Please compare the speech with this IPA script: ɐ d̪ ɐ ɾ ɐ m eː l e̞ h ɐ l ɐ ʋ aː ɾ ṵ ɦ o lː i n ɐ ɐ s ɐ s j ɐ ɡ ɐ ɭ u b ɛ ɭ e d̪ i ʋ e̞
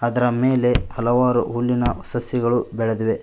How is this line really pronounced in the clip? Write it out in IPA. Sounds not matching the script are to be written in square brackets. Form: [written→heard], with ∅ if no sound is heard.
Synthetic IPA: ɐ d̪ ɐ ɾ ɐ m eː l e̞ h ɐ l ɐ ʋ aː ɾ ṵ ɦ [o→u] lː i n ɐ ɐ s ɐ s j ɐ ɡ ɐ ɭ u b ɛ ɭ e d̪ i ʋ e̞